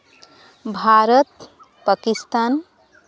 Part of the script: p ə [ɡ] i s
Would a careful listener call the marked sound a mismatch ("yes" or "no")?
yes